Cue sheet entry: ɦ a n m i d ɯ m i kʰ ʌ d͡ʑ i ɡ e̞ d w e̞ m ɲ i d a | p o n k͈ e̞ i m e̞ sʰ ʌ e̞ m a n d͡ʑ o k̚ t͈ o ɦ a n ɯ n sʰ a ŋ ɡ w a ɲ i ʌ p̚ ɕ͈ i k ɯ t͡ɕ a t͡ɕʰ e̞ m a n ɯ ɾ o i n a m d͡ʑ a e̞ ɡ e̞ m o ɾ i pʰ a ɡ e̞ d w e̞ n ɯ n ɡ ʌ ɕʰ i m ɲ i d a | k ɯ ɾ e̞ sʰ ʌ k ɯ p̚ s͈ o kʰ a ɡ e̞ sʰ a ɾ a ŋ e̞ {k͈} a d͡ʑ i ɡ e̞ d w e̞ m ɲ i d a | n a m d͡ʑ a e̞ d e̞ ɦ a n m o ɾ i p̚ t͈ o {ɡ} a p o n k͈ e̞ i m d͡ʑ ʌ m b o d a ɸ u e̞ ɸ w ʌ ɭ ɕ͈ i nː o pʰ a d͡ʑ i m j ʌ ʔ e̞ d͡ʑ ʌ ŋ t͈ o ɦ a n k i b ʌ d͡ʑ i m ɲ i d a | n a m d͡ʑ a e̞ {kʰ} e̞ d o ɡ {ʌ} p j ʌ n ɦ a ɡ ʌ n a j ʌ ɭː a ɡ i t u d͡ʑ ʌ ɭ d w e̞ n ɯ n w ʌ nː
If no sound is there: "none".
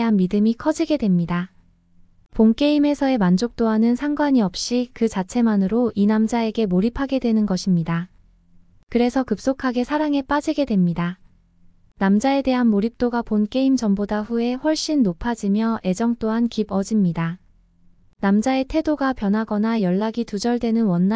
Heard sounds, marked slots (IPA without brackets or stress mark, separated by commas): p͈, ɡ, tʰ, a